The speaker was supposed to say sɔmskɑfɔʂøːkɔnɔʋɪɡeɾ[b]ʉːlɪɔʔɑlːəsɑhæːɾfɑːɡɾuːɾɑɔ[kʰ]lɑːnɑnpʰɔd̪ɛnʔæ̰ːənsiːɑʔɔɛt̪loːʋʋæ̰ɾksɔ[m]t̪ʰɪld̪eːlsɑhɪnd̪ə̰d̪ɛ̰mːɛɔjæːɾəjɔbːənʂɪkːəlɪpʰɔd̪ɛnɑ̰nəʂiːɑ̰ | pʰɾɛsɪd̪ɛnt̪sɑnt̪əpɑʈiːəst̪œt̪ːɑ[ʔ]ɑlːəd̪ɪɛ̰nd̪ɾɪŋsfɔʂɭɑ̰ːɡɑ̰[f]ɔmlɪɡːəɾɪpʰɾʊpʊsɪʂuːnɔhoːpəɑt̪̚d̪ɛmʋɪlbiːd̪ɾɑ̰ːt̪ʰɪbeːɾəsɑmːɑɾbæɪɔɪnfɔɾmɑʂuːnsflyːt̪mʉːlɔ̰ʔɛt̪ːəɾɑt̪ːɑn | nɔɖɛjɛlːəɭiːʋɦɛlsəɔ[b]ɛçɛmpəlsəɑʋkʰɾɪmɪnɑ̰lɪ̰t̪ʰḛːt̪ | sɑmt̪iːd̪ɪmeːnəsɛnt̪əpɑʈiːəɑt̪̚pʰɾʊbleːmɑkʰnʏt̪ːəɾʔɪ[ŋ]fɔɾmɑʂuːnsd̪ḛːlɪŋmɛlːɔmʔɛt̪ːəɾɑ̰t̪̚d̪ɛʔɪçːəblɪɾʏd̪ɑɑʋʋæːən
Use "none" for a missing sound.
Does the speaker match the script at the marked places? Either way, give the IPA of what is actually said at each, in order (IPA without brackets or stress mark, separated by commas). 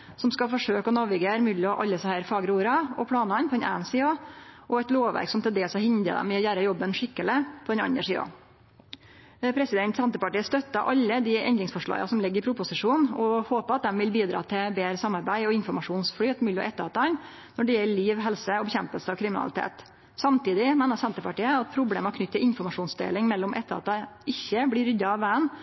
m, pʰ, m, ʔ, s, b, n